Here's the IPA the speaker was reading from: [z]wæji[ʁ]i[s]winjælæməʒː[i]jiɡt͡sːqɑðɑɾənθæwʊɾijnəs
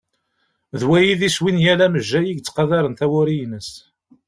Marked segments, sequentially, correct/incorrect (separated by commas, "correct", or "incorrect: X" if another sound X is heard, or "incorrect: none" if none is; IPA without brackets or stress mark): incorrect: ð, incorrect: ð, correct, incorrect: æ